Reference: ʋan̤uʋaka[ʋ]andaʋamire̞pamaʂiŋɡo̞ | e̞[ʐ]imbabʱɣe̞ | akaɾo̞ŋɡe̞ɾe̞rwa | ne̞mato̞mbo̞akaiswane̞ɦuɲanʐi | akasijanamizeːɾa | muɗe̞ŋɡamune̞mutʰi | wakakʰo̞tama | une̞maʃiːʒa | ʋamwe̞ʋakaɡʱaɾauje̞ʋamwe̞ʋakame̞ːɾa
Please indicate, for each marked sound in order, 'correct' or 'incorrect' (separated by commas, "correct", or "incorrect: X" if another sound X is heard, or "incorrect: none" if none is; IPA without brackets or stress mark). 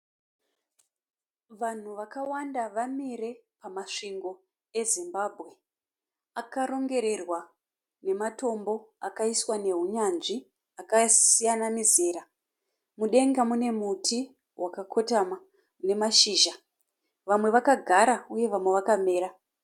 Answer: incorrect: w, incorrect: z